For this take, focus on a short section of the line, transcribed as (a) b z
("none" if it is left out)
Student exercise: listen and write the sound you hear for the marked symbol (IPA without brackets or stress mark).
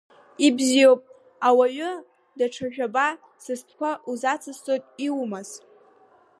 i